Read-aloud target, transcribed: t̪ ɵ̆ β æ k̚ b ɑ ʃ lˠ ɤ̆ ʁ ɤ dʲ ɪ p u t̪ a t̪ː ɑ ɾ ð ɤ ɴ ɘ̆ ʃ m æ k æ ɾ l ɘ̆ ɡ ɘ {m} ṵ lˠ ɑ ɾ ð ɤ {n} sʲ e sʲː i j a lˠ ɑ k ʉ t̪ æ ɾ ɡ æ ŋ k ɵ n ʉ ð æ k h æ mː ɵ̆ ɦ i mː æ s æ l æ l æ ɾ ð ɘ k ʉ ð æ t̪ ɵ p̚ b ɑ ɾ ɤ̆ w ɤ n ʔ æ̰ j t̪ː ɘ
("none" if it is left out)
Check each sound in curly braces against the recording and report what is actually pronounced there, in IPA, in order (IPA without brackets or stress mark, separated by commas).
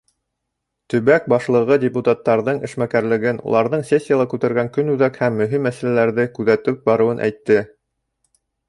n, ɴ